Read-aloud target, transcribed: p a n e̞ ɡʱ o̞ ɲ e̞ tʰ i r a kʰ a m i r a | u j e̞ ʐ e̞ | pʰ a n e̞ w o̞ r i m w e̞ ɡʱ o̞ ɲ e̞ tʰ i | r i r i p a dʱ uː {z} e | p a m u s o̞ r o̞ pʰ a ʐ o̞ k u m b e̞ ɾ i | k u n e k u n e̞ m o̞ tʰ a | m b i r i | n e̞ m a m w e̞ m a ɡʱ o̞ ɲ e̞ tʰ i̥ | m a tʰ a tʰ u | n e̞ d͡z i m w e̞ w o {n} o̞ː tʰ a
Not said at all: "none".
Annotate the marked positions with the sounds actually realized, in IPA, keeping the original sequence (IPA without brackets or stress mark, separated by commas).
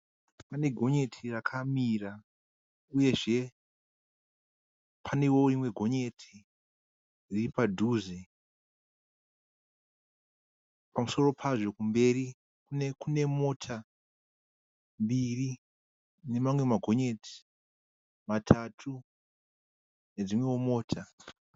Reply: z, m